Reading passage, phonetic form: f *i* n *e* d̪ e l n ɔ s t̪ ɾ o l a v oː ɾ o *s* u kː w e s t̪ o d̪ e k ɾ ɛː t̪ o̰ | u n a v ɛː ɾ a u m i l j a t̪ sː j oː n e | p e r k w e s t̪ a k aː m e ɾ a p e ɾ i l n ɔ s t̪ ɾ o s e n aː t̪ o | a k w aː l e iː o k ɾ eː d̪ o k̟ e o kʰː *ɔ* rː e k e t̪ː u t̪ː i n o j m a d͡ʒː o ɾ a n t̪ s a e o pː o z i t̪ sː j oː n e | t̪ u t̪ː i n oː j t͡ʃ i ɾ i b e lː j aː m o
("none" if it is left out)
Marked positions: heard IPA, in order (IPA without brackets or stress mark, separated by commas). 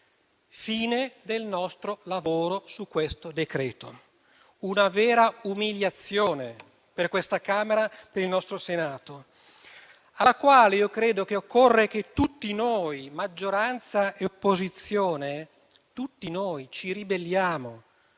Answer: iː, e, s, o